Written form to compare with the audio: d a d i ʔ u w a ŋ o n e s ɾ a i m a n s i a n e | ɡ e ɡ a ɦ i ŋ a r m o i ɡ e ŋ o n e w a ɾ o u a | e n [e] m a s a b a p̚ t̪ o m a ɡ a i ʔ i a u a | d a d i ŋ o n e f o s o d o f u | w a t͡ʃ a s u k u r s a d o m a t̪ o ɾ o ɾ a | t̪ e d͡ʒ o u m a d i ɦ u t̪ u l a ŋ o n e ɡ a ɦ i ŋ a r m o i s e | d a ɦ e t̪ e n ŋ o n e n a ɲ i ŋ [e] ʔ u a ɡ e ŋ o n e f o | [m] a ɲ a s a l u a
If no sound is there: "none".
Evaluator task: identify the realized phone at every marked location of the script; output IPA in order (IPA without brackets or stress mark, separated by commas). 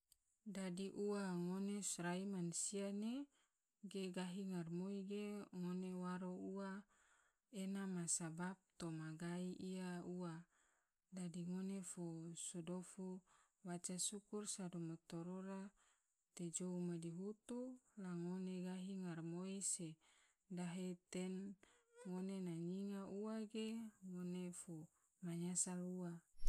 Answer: a, a, m